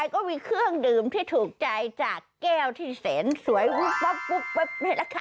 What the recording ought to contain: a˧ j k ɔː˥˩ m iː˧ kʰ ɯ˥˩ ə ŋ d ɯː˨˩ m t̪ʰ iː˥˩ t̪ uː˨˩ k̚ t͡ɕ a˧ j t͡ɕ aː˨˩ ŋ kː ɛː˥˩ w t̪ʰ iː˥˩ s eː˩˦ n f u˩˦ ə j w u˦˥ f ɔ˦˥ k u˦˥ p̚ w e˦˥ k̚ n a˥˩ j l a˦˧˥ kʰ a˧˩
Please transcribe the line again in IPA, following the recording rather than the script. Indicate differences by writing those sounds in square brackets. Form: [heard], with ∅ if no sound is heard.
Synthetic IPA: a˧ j k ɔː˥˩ m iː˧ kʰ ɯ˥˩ ə ŋ d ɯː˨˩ m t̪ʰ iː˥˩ [t̪ʰ] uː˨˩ k̚ t͡ɕ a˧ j t͡ɕ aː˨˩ [∅] kː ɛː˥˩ w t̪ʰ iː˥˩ s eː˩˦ n [s] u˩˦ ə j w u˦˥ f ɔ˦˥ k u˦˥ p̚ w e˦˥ [p̚] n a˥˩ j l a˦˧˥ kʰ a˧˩